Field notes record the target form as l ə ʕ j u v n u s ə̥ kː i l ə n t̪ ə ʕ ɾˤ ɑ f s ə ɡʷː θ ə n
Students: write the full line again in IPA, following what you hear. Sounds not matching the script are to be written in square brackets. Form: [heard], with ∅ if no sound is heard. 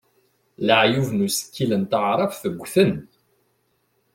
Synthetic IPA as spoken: l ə ʕ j u v n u s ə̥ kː i l ə n t̪ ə ʕ ɾˤ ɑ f [θ] ə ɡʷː θ ə n